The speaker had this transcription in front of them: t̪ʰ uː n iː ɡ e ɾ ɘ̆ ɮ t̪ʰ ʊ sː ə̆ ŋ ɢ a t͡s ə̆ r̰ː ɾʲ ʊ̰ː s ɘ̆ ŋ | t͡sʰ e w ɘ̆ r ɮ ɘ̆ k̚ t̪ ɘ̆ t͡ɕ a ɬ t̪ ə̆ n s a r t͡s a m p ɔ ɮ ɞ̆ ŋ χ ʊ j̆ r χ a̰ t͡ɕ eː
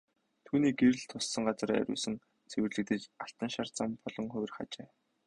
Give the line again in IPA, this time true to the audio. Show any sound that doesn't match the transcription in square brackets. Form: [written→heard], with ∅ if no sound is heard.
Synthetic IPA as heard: t̪ʰ uː n iː ɡ e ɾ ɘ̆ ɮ t̪ʰ ʊ sː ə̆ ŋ ɢ a t͡s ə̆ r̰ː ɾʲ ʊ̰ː s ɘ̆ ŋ | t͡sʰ e w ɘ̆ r ɮ ɘ̆ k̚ t̪ ɘ̆ t͡ɕ a ɬ t̪ ə̆ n [s→ʃ] a r t͡s a m p ɔ ɮ ɞ̆ ŋ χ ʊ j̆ r χ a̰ t͡ɕ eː